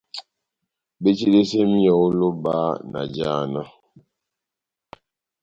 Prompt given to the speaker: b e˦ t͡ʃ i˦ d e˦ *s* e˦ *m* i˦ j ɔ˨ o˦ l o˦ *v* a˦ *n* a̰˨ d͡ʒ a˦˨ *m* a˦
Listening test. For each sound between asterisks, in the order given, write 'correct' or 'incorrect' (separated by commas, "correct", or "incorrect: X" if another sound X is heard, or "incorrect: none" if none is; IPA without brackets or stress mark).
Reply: correct, correct, incorrect: b, correct, incorrect: n